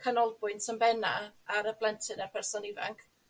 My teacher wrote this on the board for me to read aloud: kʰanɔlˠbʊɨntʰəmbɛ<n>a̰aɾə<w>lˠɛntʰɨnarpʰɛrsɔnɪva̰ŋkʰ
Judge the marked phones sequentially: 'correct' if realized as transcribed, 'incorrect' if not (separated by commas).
correct, incorrect